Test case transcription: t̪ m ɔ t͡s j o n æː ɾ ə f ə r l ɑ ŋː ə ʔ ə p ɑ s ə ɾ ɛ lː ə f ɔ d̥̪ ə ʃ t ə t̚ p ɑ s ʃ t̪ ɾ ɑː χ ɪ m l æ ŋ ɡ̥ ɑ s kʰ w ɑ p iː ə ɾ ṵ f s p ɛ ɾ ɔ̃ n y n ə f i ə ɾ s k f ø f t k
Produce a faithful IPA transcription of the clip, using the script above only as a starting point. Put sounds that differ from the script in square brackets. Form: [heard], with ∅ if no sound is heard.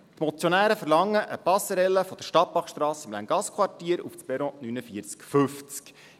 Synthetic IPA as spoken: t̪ m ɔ t͡s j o n æː ɾ ə f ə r l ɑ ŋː ə ʔ ə p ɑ s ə ɾ ɛ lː ə f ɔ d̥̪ ə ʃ t [ɑ] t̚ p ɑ [χ] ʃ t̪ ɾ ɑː [s] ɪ m l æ ŋ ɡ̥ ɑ s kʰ w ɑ [t] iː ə ɾ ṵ f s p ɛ ɾ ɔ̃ n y n ə f i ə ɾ [t͡s] k f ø f [t͡s] k